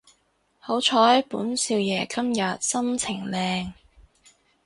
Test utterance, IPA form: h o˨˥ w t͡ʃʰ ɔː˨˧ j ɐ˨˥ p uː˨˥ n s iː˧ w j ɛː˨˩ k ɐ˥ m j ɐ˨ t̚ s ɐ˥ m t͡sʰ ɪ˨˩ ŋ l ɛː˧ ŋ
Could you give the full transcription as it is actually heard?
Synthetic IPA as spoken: h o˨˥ w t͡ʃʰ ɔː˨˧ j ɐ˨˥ p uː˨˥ n s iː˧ w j ɛː˨˩ k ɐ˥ m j ɐ˨ t̚ s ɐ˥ m t͡sʰ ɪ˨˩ ŋ l ɛː˧ ŋ